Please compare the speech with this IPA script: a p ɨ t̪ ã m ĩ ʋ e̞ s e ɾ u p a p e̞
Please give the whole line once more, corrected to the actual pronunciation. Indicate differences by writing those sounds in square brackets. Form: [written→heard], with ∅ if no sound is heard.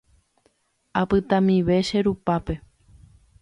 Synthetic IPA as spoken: a p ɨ t̪ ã m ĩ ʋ e̞ [s→ʃ] e ɾ u p a p e̞